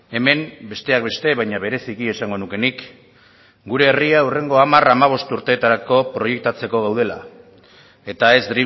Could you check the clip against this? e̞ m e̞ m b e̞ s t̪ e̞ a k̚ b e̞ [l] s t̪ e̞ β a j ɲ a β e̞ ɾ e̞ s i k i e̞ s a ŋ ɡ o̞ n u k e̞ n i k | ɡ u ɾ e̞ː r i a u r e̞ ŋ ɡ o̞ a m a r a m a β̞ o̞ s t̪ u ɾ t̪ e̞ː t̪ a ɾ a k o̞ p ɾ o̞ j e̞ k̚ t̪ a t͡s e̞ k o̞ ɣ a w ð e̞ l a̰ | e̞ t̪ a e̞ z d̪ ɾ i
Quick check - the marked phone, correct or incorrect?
incorrect